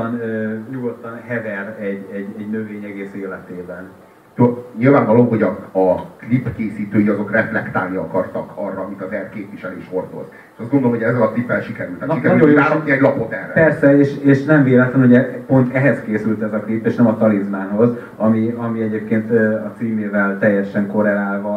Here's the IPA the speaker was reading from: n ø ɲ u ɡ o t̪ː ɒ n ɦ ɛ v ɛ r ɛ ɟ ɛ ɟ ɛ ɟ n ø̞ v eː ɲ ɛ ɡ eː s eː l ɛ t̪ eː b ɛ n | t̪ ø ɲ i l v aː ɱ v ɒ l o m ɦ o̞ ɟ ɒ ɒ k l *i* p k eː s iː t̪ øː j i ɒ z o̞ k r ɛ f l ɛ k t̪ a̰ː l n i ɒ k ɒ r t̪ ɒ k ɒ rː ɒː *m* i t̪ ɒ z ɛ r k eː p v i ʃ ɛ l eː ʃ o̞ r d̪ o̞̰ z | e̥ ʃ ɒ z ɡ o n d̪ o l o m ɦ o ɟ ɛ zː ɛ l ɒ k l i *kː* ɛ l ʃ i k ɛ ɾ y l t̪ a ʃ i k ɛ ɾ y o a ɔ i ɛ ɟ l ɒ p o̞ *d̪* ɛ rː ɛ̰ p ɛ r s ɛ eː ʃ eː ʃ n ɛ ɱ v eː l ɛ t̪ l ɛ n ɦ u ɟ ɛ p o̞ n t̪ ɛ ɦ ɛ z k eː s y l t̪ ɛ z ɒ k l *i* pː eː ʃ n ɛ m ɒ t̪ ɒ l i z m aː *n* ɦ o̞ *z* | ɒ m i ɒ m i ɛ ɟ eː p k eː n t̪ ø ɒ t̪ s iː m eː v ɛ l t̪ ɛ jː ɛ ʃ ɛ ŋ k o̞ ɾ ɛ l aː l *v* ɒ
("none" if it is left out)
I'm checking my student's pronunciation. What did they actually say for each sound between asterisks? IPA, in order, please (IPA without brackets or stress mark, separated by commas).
i, m, pː, t̪, i, n, z, v